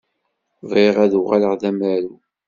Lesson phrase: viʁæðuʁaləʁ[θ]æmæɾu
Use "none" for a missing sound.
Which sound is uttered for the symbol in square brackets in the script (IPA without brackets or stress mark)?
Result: ð